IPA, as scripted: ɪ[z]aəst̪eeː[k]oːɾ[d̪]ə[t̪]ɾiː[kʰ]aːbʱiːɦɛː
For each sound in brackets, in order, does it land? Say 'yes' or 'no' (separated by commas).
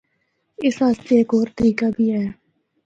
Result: no, yes, no, no, no